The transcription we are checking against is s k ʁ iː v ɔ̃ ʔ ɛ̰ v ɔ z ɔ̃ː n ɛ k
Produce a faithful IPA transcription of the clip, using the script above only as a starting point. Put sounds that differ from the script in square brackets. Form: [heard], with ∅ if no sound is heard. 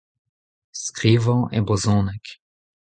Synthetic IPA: s k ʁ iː v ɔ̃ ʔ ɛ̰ [b] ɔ z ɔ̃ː n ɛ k